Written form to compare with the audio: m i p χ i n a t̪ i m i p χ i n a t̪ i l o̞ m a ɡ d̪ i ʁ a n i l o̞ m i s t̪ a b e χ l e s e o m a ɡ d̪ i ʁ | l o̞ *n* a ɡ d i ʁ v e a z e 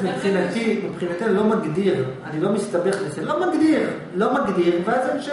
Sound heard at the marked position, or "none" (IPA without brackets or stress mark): m